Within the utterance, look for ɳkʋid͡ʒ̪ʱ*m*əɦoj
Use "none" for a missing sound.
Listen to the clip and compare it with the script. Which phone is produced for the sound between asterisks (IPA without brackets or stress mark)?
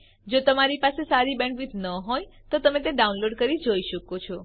n